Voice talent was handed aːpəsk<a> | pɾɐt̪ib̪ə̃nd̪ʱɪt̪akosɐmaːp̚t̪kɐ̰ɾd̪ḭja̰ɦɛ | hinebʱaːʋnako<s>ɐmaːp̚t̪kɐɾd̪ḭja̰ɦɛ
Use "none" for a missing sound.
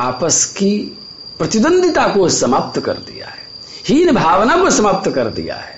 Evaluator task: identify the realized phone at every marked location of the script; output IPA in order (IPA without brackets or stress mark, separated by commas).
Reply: i, s